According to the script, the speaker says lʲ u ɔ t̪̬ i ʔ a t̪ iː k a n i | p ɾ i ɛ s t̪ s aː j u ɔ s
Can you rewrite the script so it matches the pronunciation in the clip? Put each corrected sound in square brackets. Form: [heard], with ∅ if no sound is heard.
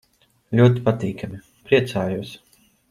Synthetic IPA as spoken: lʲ u ɔ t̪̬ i [p] a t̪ iː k a [m] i | p ɾ i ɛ [∅] t̪ s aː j u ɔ s